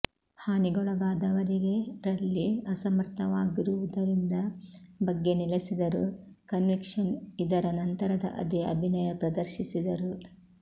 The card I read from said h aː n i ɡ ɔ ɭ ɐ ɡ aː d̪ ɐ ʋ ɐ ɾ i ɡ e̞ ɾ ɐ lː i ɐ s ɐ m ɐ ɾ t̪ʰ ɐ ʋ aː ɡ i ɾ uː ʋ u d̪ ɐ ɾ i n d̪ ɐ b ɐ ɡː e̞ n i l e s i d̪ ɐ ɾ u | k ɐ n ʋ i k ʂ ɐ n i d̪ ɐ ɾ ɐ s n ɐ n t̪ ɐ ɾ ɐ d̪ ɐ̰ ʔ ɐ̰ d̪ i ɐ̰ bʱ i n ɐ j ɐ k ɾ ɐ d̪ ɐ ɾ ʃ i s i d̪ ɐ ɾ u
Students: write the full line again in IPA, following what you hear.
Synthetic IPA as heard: h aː n i ɡ ɔ ɭ ɐ ɡ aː d̪ ɐ ʋ ɐ ɾ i ɡ e̞ ɾ ɐ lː i ɐ s ɐ m ɐ ɾ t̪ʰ ɐ ʋ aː ɡ i ɾ u ʋ u d̪ ɐ ɾ i n d̪ ɐ b ɐ ɡː e̞ n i l e s i d̪ ɐ ɾ u | k ɐ n ʋ i k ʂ ɐ n i d̪ ɐ ɾ ɐ n ɐ n t̪ ɐ ɾ ɐ d̪ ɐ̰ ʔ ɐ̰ d̪ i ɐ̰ bʱ i n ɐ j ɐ p ɾ ɐ d̪ ɐ ɾ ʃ i s i d̪ ɐ ɾ u

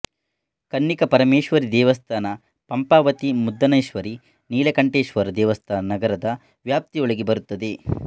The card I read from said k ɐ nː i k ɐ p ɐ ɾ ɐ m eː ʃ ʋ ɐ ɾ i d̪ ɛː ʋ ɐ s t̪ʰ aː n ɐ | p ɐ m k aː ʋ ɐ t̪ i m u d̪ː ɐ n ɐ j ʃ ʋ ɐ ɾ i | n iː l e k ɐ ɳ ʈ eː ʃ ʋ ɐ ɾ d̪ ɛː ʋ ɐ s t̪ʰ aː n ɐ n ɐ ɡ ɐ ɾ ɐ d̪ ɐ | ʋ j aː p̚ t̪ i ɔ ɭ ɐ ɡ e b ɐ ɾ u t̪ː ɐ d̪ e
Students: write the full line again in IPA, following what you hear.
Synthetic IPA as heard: k ɐ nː i k ɐ p ɐ ɾ ɐ m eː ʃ ʋ ɐ ɾ i d̪ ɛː ʋ ɐ s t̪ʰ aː n ɐ | p ɐ m p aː ʋ ɐ t̪ i m u d̪ː ɐ n ɐ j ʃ ʋ ɐ ɾ i | n iː l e k ɐ ɳ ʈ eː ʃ ʋ ɐ ɾ d̪ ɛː ʋ ɐ s t̪ʰ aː n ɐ n ɐ ɡ ɐ ɾ ɐ d̪ ɐ | ʋ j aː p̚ t̪ i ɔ ɭ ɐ ɡ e b ɐ ɾ u t̪ː ɐ d̪ e

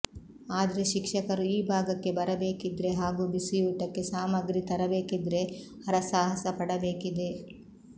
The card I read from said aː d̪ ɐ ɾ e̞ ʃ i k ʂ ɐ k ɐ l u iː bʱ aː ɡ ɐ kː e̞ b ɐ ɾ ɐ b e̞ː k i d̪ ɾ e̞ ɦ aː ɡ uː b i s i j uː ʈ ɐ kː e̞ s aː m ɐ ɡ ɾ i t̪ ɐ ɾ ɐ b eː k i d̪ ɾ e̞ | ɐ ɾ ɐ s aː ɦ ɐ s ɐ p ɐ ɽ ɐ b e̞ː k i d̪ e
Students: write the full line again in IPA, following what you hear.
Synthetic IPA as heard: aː d̪ ɐ ɾ e̞ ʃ i k ʂ ɐ k ɐ ɾ u iː bʱ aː ɡ ɐ kː e̞ b ɐ ɾ ɐ b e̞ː k i d̪ ɾ e̞ ɦ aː ɡ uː b i s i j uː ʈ ɐ kː e̞ s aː m ɐ ɡ ɾ i t̪ ɐ ɾ ɐ b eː k i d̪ ɾ e̞ | ɐ ɾ ɐ s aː ɦ ɐ s ɐ p ɐ ɽ ɐ b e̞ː k i d̪ e

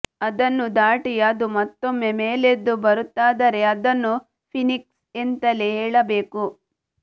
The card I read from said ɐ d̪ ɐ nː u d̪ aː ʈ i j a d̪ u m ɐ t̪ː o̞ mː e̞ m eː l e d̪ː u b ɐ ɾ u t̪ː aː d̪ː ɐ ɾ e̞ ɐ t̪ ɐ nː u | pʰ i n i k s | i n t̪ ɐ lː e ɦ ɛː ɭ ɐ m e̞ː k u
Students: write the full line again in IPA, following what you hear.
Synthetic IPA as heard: ɐ d̪ ɐ nː u d̪ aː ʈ i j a d̪ u m ɐ t̪ː o̞ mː e̞ m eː l e d̪ː u b ɐ ɾ u t̪ː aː d̪ ɐ ɾ e̞ ɐ d̪ ɐ nː u | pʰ i n i k s | e n t̪ ɐ l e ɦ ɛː ɭ ɐ b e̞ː k u

